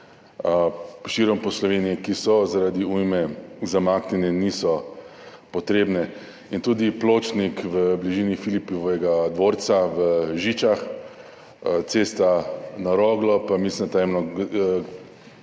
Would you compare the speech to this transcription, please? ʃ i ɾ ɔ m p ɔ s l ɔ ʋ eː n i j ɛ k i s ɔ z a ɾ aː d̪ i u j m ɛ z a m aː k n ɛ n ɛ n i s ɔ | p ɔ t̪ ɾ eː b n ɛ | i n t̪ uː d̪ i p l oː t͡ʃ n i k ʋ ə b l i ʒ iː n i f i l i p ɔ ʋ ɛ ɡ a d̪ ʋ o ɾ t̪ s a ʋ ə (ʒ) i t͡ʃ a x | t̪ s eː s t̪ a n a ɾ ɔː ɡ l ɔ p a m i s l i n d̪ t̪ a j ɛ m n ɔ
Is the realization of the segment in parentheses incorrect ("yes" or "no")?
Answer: no